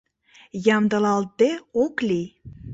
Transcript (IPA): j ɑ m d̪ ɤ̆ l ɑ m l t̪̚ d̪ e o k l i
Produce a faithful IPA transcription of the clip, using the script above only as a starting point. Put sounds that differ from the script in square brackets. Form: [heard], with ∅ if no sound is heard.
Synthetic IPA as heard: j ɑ m d̪ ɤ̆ l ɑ [∅] l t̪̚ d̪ e o k l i